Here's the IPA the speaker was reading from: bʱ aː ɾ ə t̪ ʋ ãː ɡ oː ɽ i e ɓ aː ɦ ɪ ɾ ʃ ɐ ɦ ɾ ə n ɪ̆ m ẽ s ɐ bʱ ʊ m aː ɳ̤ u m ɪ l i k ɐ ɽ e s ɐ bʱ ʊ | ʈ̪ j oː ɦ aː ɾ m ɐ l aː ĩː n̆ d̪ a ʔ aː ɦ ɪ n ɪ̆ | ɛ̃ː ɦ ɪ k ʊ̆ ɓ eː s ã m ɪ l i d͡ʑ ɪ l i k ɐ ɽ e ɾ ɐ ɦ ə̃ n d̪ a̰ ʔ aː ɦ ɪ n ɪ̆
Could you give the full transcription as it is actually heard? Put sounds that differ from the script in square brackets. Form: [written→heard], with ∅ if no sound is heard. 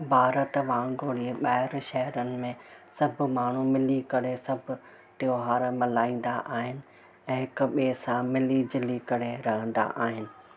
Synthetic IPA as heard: bʱ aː ɾ ə t̪ ʋ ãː ɡ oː ɽ i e ɓ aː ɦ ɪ ɾ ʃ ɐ ɦ ɾ ə n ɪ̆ m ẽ s ɐ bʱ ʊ m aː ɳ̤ u m ɪ l i k ɐ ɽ e s ɐ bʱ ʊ | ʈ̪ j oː ɦ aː ɾ m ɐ l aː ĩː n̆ d̪ a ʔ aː ɦ ɪ n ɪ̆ | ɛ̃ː ɦ ɪ k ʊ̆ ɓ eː s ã m ɪ l i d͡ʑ ɪ l i k ɐ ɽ e ɾ ɐ ɦ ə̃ n d̪ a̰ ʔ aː ɦ ɪ n ɪ̆